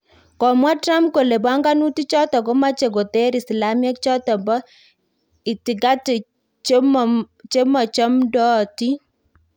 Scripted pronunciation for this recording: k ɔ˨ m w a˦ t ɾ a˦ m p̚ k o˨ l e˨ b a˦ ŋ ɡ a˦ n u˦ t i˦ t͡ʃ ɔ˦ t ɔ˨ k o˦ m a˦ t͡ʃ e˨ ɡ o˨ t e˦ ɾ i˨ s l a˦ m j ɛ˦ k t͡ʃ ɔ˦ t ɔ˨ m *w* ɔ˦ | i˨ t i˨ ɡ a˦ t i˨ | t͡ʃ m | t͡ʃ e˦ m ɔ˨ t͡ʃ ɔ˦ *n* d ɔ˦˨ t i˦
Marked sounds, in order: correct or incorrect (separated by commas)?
incorrect, incorrect